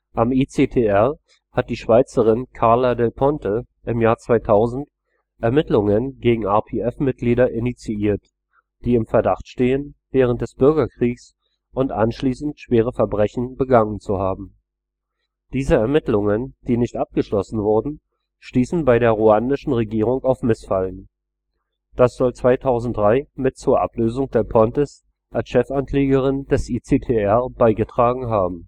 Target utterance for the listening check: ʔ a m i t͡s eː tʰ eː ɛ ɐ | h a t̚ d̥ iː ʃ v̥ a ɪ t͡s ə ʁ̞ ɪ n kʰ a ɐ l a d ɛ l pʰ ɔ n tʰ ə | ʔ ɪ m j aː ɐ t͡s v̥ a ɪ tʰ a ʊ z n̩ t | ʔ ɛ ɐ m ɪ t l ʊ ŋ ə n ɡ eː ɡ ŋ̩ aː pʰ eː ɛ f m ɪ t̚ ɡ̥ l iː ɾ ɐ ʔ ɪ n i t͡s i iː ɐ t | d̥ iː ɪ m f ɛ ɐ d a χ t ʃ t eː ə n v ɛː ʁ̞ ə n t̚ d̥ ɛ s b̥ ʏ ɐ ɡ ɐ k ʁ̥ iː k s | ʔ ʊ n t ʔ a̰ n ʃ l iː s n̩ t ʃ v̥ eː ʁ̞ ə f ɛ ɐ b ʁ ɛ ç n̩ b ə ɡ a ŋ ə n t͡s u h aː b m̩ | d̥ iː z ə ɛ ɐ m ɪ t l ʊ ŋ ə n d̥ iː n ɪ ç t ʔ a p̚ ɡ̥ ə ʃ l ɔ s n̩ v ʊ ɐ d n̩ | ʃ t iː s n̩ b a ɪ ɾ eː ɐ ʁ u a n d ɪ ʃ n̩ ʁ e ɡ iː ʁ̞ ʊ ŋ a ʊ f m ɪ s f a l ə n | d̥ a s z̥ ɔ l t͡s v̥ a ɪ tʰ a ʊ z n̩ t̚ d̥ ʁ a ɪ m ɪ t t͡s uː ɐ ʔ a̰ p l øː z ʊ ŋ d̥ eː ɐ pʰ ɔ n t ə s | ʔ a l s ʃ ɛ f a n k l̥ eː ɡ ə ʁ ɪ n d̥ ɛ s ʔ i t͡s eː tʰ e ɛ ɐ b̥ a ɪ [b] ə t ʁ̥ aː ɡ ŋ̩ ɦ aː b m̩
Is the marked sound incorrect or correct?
incorrect